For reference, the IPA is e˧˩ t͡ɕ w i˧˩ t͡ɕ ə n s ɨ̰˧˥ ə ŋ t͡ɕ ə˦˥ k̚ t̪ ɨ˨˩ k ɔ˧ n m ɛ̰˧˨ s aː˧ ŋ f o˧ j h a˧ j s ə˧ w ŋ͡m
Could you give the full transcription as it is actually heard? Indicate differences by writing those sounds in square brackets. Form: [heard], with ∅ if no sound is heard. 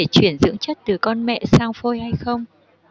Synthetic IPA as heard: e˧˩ t͡ɕ w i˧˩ [∅] ə n [z] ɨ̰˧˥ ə ŋ t͡ɕ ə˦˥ [t̚] t̪ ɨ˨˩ k ɔ˧ n m ɛ̰˧˨ s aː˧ ŋ f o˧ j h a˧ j [x] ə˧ w ŋ͡m